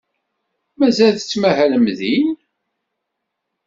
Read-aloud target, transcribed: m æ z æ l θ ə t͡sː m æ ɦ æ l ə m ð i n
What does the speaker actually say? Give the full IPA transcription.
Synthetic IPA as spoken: m æ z æ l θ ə t͡sː m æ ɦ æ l ə m ð i n